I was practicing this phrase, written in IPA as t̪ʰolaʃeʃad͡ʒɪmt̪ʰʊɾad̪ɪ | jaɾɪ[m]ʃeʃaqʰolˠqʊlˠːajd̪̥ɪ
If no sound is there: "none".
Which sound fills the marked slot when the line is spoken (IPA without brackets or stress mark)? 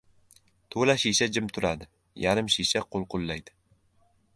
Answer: m